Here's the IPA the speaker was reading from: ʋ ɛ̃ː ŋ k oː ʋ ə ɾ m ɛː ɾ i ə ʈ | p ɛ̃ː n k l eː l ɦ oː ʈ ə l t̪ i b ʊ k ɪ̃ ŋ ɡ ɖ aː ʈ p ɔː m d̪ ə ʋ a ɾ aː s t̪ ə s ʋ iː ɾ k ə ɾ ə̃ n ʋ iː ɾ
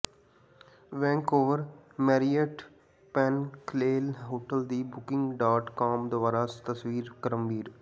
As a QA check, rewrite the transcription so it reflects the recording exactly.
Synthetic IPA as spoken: ʋ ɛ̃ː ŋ k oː ʋ ə ɾ m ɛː ɾ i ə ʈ | p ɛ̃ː n k l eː l ɦ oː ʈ ə l d̪ i b ʊ k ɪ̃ ŋ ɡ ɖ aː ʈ k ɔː m d̪ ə ʋ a ɾ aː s t̪ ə s ʋ iː ɾ k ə ɾ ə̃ m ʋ iː ɾ